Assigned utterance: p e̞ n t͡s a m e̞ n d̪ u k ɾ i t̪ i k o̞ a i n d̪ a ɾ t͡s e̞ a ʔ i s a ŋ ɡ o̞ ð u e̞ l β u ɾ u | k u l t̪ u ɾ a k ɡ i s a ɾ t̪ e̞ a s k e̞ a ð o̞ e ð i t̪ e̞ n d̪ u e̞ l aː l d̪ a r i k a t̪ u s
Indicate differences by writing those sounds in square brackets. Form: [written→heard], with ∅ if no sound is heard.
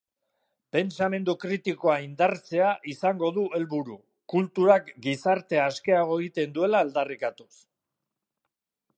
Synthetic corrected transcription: p e̞ n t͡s a m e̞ n d̪ u k ɾ i t̪ i k o̞ a i n d̪ a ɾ t͡s e̞ a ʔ i s a ŋ ɡ o̞ ð u e̞ l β u ɾ u | k u l t̪ u ɾ a k ɡ i s a ɾ t̪ e̞ a s k e̞ a [ð→ɣ] o̞ e [ð→ɣ] i t̪ e̞ n d̪ u e̞ l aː l d̪ a r i k a t̪ u s

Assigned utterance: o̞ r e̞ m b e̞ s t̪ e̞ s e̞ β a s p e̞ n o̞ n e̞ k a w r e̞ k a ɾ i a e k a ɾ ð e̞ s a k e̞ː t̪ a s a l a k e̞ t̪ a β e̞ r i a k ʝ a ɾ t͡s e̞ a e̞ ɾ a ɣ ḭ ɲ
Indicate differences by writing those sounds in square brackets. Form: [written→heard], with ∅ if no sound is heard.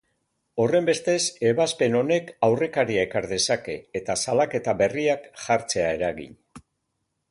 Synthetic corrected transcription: o̞ r e̞ m b e̞ s t̪ e̞ s e̞ β a s p e̞ n o̞ n e̞ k a w r e̞ k a ɾ i a e k a ɾ ð e̞ s a k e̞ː t̪ a s a l a k e̞ t̪ a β e̞ r i a k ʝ a ɾ t͡s e̞ a e̞ ɾ a ɣ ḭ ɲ

